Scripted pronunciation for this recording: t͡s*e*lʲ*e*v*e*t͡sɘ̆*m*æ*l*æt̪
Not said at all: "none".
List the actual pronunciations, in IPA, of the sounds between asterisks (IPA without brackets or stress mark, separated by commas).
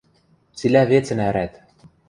i, æ, e, n, ɾ